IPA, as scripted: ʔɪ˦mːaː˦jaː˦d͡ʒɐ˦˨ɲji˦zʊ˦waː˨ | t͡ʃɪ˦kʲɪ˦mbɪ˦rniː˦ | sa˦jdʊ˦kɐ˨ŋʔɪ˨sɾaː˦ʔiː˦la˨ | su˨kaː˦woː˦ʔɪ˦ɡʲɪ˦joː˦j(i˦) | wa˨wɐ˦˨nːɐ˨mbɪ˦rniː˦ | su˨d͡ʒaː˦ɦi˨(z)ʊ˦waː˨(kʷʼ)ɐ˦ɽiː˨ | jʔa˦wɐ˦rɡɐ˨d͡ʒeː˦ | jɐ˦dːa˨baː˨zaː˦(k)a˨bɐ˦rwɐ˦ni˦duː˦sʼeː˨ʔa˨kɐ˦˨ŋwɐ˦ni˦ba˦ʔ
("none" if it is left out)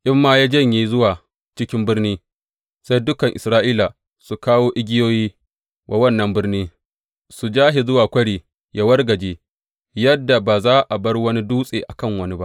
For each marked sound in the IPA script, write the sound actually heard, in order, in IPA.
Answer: iː˦, z, kʷ, ʔ

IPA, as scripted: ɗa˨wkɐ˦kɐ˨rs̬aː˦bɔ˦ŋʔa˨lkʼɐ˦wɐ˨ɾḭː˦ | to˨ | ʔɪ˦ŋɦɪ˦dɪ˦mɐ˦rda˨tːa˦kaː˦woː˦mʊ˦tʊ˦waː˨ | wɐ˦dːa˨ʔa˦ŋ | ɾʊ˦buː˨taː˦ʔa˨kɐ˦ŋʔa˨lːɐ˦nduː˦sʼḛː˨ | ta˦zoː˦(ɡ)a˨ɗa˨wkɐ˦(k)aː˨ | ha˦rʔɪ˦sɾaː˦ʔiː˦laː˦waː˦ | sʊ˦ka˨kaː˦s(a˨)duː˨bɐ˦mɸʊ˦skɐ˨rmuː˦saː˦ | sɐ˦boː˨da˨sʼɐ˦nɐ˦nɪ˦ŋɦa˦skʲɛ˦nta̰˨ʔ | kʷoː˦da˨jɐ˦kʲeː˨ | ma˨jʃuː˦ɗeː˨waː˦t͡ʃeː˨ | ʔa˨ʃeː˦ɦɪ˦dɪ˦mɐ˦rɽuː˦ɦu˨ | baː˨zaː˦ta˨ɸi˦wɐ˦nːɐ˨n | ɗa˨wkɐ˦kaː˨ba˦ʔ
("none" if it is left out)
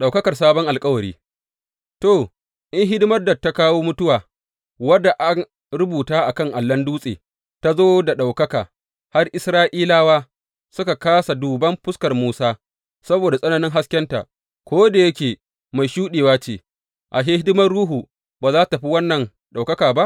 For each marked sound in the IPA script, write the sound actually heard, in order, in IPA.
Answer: d, k, a˨

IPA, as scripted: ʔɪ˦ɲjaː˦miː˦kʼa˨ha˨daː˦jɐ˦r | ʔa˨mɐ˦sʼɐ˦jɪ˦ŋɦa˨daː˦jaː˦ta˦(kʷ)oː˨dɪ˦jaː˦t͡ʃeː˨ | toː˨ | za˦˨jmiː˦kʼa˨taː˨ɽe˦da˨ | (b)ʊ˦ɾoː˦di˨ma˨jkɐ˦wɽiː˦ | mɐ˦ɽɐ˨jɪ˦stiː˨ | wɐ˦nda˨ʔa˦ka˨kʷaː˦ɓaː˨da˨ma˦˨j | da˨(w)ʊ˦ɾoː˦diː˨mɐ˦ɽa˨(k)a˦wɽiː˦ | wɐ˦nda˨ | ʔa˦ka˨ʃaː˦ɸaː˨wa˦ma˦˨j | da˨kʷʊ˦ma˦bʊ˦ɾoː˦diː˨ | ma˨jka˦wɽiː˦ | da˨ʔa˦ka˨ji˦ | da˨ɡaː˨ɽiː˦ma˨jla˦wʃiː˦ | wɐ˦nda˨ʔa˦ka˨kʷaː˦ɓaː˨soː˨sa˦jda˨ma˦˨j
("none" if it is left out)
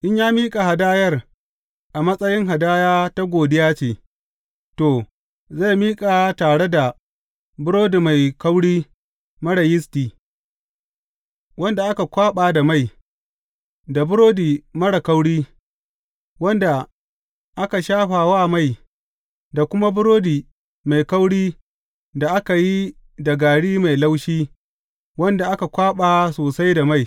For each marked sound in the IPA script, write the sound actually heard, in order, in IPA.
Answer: ɡʷ, b, b, k

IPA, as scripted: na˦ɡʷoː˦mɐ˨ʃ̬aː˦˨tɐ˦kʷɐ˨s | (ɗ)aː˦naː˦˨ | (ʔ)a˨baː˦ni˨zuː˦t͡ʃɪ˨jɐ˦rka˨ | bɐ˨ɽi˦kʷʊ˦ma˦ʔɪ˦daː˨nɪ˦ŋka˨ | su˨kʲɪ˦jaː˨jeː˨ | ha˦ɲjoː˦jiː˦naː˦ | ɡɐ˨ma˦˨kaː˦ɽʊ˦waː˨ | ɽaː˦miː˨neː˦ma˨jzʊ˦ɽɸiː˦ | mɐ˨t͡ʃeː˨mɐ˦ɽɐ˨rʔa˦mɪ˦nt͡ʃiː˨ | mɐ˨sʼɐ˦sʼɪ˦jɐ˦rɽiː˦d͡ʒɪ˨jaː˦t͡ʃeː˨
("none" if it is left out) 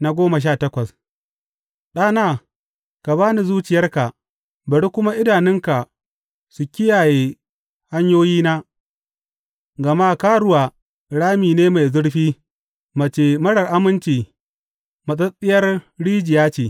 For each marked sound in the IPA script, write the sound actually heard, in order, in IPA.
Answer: ɗ, k

